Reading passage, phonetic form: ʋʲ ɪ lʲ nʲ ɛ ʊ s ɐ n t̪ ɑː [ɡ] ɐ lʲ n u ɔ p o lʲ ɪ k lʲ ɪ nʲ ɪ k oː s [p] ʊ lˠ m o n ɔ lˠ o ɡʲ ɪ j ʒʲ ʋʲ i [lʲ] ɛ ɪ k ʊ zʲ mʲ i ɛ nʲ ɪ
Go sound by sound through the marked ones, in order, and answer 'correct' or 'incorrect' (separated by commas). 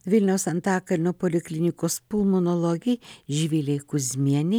incorrect, correct, correct